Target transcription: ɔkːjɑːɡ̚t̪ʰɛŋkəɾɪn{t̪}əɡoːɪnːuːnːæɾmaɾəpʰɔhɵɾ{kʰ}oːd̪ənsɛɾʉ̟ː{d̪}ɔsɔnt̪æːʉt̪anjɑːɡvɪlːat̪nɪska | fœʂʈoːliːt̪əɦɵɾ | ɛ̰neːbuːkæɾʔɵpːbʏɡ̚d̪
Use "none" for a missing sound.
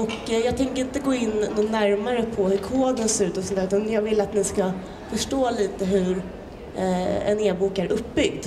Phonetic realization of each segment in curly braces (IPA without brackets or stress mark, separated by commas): t̪, kʰ, t̪